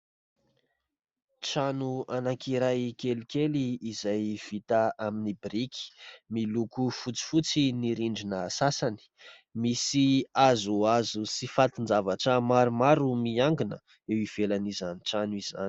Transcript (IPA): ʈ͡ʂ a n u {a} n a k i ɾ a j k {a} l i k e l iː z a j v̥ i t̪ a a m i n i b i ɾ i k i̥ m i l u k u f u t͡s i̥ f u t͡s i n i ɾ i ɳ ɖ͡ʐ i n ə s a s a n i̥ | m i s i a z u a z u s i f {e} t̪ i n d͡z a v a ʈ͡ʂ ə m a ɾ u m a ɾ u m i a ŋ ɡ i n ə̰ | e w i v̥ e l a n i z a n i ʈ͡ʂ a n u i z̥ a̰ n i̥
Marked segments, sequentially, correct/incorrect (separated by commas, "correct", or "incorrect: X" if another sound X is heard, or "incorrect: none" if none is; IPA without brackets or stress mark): correct, incorrect: e, incorrect: a